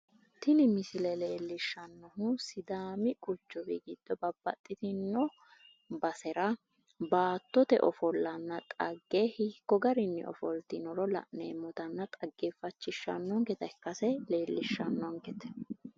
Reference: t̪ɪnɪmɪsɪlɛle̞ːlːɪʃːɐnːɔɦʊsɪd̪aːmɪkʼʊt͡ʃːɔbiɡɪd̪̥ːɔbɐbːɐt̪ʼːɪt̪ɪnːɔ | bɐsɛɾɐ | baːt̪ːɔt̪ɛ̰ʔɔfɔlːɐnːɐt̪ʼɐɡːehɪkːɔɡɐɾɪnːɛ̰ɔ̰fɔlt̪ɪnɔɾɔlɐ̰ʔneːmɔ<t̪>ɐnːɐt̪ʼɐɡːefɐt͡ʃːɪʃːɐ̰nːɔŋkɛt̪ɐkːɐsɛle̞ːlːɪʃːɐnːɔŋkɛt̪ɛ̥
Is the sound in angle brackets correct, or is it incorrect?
correct